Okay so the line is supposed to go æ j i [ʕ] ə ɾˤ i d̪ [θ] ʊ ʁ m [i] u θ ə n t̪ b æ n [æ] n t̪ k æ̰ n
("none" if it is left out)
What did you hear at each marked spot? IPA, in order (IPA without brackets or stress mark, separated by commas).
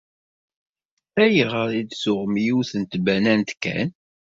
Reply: ʁ, s, j, æ